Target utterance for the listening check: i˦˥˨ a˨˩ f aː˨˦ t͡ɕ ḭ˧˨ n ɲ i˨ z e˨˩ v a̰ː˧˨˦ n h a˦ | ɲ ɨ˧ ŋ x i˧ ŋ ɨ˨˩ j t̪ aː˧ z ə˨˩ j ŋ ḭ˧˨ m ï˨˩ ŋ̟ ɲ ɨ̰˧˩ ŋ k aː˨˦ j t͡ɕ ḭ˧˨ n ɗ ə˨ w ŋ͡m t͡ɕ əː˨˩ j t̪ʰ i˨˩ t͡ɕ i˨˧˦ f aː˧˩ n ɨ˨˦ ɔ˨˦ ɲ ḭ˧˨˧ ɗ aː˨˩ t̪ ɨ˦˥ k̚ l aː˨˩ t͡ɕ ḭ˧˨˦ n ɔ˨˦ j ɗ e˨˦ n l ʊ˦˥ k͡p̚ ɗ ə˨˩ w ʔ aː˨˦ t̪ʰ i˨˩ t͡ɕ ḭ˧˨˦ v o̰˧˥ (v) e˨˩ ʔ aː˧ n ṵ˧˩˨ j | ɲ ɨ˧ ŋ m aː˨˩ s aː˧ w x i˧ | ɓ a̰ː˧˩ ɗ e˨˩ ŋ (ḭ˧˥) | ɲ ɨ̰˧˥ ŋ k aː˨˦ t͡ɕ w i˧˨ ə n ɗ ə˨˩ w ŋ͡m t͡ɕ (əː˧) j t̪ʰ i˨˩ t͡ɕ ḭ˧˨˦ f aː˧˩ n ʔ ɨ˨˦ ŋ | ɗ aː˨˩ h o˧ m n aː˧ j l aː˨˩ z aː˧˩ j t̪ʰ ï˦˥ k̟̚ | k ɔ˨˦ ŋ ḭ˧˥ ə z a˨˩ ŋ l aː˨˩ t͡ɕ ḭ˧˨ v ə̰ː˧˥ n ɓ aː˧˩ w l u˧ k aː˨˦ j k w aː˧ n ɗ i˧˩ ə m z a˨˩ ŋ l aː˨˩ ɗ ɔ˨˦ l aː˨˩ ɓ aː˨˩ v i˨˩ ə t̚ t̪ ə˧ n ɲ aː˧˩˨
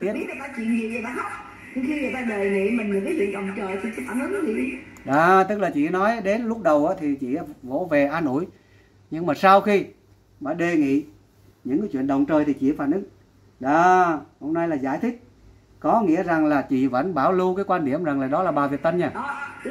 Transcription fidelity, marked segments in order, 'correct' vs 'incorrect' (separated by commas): correct, incorrect, incorrect